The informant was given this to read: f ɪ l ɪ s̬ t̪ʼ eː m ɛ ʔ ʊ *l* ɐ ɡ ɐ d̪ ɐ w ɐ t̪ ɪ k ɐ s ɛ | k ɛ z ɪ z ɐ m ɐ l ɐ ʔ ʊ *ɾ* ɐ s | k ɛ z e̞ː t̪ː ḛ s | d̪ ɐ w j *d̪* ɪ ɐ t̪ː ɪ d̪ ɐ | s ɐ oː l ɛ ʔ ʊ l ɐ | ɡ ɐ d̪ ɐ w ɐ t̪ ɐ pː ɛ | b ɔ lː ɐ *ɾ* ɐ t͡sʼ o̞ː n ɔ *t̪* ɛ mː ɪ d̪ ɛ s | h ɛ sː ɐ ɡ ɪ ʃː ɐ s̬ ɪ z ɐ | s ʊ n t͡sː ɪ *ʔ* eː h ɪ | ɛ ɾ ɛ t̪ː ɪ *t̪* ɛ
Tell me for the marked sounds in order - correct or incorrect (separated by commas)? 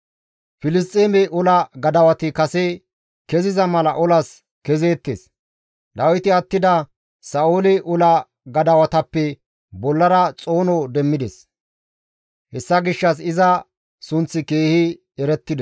correct, incorrect, incorrect, correct, incorrect, incorrect, incorrect